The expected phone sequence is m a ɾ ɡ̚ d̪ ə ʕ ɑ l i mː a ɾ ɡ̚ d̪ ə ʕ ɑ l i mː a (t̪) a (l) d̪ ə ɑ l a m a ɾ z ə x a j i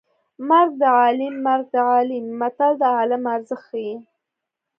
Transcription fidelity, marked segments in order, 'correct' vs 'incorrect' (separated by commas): correct, correct